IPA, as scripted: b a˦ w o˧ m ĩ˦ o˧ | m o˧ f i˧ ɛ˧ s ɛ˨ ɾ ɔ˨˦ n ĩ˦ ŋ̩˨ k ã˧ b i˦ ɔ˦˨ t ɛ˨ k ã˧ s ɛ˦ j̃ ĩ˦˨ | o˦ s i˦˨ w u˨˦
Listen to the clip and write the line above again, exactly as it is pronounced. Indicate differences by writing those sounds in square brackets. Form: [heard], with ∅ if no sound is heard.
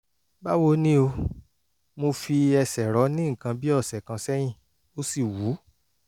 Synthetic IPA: b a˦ w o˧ [n] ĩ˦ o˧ | m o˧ f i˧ ɛ˧ s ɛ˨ ɾ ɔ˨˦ n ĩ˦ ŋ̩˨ k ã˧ b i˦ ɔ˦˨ [s] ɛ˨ k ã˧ s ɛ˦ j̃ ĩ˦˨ | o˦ s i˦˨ w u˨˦